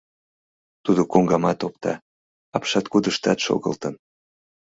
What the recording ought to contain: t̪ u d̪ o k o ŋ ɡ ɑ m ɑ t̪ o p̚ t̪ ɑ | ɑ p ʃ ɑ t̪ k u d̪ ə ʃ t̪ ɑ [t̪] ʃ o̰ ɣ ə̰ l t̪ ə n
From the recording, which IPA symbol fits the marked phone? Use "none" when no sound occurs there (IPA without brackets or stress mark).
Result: t̪